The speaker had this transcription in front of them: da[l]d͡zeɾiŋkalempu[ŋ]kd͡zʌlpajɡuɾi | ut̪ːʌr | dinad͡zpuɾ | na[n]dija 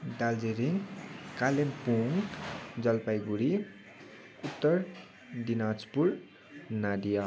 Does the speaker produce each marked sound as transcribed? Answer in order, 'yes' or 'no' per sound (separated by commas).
yes, yes, no